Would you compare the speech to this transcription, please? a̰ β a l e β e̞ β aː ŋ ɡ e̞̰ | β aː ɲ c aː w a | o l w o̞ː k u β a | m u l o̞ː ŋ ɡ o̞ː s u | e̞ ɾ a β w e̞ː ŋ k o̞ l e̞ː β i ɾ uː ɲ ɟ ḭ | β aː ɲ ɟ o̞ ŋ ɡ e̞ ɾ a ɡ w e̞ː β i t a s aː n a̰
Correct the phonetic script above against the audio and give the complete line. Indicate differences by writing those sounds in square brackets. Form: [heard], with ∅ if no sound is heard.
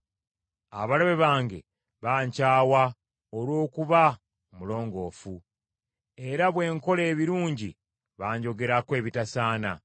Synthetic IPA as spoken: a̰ β a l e β e̞ β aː ŋ ɡ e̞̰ | β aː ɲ c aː w a | o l w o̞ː k u β a | m u l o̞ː ŋ ɡ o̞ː [f] u | e̞ ɾ a β w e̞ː ŋ k o̞ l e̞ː β i ɾ uː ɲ ɟ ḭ | β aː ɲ ɟ o̞ [∅] ɡ e̞ ɾ a [k] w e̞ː β i t a s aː n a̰